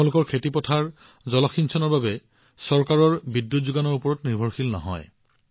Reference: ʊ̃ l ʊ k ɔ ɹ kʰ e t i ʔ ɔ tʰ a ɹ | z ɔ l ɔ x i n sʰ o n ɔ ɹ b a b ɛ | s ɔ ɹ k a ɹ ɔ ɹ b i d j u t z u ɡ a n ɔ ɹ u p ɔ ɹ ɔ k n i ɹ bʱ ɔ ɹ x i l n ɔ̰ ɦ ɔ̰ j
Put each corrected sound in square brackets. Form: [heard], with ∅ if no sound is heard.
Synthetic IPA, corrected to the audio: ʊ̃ l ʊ k ɔ ɹ kʰ e t i [p] ɔ tʰ a ɹ | z ɔ l ɔ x i n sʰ [ɔ] n ɔ ɹ b a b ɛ | s ɔ ɹ k a ɹ ɔ ɹ b i d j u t z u ɡ a n ɔ ɹ u p ɔ ɹ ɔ [t] n i ɹ bʱ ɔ ɹ x i l n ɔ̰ ɦ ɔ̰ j